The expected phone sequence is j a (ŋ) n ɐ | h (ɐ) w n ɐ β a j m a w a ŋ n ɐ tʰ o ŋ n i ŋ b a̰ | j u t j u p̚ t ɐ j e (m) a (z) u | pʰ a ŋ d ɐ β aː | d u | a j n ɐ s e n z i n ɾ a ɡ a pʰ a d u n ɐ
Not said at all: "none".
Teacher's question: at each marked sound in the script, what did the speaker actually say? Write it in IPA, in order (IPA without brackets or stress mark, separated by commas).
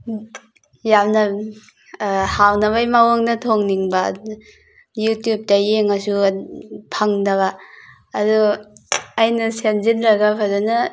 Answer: m, a, ŋ, s